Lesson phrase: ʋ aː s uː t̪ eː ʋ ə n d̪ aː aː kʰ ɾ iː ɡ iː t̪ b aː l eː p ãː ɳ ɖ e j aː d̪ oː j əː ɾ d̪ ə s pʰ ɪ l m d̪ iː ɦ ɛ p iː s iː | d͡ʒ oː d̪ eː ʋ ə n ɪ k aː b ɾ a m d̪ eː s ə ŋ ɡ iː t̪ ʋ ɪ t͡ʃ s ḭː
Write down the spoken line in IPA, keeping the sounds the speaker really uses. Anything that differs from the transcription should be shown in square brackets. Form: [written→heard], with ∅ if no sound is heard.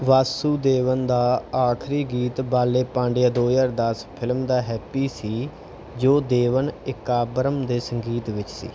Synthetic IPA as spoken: ʋ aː s uː [t̪→d̪] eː ʋ ə n d̪ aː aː kʰ ɾ iː ɡ iː t̪ b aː l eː p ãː ɳ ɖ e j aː d̪ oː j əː ɾ d̪ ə s pʰ ɪ l m d̪ [iː→aː] ɦ [ɛ→ɛː] p iː s iː | d͡ʒ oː d̪ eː ʋ ə n ɪ k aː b ɾ [a→ə] m d̪ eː s ə ŋ ɡ iː t̪ ʋ ɪ t͡ʃ s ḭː